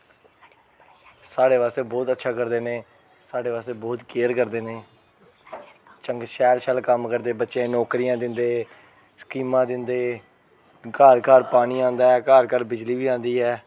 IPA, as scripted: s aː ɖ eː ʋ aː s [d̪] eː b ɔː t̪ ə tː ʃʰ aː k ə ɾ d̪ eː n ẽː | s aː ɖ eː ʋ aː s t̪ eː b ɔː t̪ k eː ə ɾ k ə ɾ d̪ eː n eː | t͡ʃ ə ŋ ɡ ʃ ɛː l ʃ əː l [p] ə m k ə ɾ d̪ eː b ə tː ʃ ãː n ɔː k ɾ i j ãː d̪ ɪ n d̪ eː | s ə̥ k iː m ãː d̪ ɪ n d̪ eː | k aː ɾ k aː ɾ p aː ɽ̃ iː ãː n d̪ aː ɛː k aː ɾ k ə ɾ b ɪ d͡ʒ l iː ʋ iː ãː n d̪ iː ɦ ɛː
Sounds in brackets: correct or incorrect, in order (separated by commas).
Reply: incorrect, incorrect